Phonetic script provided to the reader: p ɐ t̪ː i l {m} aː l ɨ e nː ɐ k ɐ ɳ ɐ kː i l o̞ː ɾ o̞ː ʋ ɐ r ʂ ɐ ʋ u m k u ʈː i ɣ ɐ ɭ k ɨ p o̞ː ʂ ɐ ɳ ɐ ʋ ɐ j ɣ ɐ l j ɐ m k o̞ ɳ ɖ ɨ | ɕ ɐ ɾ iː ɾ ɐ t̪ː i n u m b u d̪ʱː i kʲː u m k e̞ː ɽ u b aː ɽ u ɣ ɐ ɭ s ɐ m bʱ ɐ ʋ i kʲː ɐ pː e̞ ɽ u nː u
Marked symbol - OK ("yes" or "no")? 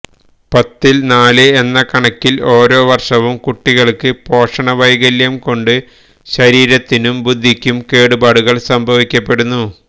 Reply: no